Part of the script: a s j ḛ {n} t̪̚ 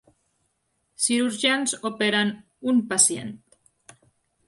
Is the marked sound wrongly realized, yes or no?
no